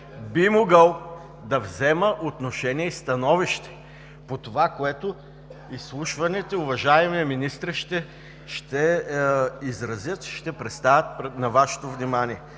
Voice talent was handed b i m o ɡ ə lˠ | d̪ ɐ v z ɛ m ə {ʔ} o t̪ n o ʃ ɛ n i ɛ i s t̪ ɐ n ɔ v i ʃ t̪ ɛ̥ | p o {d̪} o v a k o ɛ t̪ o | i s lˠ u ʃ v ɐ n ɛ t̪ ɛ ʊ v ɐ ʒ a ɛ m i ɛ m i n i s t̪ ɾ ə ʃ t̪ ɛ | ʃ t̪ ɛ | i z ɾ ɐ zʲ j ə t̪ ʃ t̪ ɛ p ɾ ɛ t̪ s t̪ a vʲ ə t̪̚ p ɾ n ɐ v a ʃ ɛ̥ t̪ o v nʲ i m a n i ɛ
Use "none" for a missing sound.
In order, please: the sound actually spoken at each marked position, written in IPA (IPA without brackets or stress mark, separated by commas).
ʔ, t̪